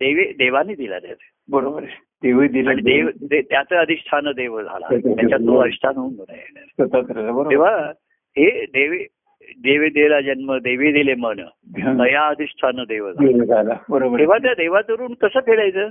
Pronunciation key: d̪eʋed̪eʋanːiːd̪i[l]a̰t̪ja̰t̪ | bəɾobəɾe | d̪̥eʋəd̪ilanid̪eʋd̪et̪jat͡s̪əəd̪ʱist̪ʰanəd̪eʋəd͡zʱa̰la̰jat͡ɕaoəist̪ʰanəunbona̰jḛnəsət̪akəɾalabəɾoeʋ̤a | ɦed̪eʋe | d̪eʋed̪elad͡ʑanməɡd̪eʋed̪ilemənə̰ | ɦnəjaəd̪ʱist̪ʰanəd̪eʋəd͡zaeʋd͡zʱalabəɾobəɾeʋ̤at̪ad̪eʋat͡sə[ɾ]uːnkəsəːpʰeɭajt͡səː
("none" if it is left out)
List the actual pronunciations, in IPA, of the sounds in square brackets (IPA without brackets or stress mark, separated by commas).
l, ɾ